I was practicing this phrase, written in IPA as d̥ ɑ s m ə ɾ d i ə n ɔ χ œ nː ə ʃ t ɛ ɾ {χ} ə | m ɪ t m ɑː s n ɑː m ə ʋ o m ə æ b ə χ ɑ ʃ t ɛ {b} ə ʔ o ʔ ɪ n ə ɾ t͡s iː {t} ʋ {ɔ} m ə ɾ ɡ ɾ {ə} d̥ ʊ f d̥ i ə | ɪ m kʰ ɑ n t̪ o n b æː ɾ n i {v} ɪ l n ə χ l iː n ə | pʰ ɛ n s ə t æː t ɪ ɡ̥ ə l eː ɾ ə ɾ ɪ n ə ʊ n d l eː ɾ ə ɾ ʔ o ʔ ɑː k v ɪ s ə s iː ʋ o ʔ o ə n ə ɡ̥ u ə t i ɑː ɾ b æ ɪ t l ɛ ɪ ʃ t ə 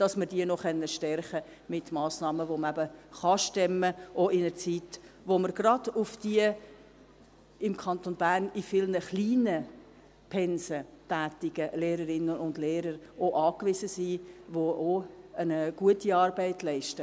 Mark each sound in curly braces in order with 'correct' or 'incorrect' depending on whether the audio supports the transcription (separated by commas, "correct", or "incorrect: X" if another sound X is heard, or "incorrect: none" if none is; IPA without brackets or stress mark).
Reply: correct, incorrect: m, correct, incorrect: o, incorrect: ɑ, incorrect: f